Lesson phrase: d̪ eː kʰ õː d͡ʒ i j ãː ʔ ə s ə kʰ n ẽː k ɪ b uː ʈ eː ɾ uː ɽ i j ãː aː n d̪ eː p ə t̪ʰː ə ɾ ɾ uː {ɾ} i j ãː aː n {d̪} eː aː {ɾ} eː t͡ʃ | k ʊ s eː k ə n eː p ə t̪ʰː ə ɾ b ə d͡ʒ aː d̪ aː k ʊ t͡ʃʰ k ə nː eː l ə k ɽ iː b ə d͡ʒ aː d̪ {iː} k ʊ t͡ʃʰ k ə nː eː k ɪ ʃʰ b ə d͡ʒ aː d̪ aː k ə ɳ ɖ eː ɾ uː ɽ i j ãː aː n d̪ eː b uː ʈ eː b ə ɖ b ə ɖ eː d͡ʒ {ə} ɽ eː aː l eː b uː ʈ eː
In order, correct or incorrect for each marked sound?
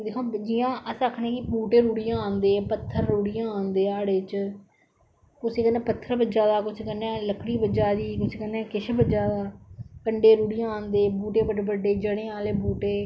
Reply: incorrect: ɽ, correct, incorrect: ɽ, correct, correct

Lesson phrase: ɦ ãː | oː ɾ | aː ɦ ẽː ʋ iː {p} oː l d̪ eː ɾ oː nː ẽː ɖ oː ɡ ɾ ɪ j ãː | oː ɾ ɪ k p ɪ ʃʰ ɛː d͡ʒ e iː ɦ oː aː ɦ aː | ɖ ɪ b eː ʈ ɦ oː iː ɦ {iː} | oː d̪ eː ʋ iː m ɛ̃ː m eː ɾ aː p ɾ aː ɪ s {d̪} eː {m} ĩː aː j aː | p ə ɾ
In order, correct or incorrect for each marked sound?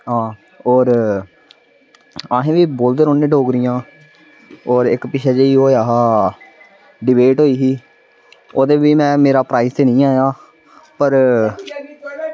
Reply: incorrect: b, correct, incorrect: t̪, incorrect: n

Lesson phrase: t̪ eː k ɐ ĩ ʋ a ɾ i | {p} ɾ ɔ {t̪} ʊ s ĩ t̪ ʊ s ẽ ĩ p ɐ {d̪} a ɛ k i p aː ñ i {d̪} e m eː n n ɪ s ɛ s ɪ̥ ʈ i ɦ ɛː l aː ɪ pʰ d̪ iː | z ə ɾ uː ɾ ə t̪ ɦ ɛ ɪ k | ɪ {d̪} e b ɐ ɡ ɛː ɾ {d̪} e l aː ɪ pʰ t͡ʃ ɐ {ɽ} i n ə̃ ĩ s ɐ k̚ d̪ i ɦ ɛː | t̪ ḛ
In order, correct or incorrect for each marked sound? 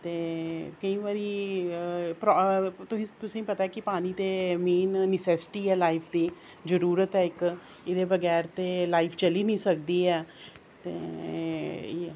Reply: correct, correct, incorrect: t̪, incorrect: t̪, correct, incorrect: t̪, incorrect: l

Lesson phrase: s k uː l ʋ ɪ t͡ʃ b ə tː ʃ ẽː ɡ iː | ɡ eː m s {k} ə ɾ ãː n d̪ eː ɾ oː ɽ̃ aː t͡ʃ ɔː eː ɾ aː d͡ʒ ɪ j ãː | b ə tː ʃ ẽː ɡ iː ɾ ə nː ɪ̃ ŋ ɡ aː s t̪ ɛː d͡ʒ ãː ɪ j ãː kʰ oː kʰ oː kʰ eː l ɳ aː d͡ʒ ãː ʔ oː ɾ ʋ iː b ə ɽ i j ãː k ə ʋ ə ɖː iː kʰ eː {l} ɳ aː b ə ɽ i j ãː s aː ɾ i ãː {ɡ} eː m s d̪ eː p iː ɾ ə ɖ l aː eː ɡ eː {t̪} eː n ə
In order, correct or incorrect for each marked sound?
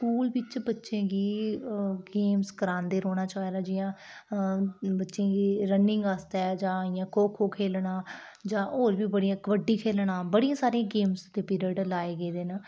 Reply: correct, correct, correct, incorrect: d̪

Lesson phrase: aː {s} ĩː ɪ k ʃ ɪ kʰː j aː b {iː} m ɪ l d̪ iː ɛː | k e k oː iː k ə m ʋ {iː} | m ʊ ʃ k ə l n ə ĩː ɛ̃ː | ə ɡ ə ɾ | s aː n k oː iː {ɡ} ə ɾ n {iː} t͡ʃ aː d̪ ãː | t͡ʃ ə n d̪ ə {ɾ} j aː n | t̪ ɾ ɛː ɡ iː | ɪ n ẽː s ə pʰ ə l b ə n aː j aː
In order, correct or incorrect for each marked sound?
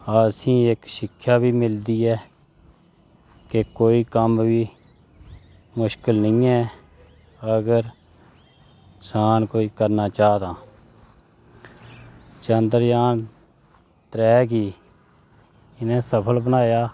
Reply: correct, correct, correct, incorrect: k, incorrect: aː, correct

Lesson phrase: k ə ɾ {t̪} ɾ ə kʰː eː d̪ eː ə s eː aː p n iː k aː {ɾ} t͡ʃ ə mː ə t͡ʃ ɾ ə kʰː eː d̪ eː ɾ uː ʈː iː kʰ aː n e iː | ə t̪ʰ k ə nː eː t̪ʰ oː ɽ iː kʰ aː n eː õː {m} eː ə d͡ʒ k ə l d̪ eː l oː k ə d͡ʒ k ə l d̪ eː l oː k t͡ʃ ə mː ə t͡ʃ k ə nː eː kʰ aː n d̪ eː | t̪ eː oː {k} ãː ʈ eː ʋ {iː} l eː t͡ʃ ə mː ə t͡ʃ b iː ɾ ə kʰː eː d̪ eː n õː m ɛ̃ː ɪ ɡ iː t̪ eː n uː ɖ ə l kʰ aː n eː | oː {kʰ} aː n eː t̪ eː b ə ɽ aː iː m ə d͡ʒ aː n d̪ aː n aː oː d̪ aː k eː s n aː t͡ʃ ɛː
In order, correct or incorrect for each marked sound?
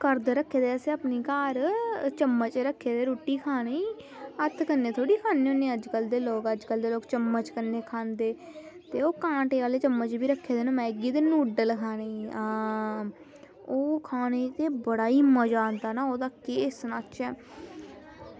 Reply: incorrect: d̪, correct, incorrect: n, correct, incorrect: aː, correct

